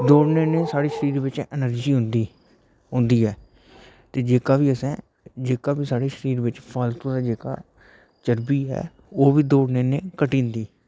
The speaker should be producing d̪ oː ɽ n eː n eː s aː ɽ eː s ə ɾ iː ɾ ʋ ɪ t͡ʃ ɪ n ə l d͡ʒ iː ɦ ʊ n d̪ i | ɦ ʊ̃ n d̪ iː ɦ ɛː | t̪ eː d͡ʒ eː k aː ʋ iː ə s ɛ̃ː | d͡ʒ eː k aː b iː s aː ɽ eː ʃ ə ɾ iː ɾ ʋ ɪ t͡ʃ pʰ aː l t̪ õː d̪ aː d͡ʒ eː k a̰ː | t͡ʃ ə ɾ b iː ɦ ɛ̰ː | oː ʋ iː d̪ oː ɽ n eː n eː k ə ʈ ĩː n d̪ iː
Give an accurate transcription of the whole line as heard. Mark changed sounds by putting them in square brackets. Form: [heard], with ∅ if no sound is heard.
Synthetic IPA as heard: d̪ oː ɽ n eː n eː s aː ɽ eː [ʃ] ə ɾ iː ɾ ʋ ɪ t͡ʃ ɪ n ə [ɾ] d͡ʒ iː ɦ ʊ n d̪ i | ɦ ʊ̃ n d̪ iː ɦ ɛː | t̪ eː d͡ʒ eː k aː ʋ iː ə s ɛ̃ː | d͡ʒ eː k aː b iː s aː ɽ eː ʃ ə ɾ iː ɾ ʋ ɪ t͡ʃ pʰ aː l t̪ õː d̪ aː d͡ʒ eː k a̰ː | t͡ʃ ə ɾ b iː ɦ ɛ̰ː | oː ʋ iː d̪ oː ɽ n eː n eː k ə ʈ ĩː n d̪ iː